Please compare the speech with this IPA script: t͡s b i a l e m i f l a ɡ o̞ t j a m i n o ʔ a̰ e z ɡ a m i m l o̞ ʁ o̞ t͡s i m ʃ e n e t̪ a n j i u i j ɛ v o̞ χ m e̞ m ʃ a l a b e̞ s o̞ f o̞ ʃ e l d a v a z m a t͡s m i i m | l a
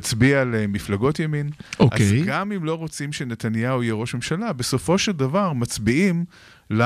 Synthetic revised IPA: t͡s b i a l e m i f l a ɡ o̞ t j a m i n o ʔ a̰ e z ɡ a m i m l o̞ ʁ o̞ t͡s i m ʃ e n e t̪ a n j a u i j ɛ ʁ o̞ ʃ m e̞ m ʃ a l a b e̞ s o̞ f o̞ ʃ e l d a v a ʁ m a t͡s b i i m | l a